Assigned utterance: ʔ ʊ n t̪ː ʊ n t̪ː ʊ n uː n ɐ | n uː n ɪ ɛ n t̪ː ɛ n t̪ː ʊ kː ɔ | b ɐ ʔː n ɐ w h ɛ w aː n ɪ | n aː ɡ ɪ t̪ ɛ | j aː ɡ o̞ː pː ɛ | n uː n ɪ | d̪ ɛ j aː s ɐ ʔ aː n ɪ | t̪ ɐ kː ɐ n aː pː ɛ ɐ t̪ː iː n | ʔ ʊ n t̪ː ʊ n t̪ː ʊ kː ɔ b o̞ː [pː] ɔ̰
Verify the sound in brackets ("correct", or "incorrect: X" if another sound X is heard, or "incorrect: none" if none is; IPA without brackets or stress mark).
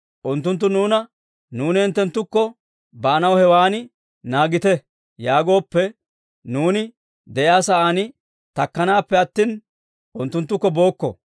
incorrect: kː